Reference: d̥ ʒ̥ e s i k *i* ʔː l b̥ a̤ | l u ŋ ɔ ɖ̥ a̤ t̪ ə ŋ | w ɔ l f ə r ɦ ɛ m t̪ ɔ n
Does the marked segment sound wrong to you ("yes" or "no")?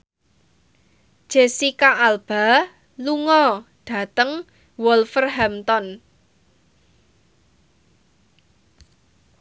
yes